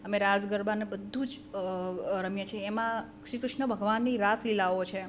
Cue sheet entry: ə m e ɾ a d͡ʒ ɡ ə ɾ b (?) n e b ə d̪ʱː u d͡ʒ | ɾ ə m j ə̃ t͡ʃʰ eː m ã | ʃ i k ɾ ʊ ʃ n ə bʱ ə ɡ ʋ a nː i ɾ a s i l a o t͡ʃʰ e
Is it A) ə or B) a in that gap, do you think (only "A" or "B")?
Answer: B